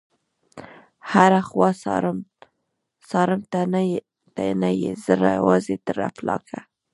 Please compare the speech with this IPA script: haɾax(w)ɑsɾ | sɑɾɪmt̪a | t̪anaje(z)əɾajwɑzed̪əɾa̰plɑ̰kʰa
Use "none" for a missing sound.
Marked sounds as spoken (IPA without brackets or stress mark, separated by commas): w, z